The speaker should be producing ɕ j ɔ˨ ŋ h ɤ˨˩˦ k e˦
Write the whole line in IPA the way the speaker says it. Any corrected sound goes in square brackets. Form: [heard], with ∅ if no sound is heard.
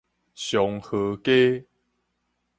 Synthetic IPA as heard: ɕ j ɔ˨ ŋ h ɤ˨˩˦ k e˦

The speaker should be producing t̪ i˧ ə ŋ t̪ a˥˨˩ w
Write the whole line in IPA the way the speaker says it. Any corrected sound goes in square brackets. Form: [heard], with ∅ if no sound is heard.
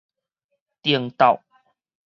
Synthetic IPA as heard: t̪ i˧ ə ŋ t̪ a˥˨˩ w

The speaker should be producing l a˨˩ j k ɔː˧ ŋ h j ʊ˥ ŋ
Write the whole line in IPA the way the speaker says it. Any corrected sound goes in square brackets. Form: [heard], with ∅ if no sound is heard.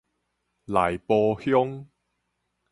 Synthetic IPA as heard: l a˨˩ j [p] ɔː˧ [∅] h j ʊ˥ ŋ

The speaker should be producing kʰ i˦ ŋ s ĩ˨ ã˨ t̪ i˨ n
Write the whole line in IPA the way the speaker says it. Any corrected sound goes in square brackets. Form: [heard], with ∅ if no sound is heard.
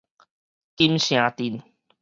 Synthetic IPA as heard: [k] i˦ [m] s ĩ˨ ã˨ t̪ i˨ n

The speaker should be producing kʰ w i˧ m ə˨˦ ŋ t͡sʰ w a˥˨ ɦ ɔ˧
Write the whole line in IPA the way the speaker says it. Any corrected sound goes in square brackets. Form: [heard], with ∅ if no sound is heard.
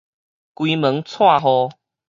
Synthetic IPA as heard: [k] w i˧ m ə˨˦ ŋ t͡sʰ w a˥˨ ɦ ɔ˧

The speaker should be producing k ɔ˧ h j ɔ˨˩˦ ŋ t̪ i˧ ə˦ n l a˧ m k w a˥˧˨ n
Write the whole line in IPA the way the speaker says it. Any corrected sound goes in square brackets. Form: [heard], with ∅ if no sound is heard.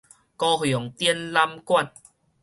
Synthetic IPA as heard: k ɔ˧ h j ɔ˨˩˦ ŋ t̪ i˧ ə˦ n l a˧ m k w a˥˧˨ n

